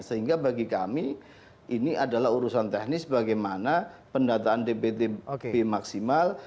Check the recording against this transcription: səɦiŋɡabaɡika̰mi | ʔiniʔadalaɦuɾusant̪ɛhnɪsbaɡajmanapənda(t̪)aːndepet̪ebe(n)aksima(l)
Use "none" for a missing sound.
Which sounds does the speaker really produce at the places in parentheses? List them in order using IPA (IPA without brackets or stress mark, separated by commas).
t̪, m, l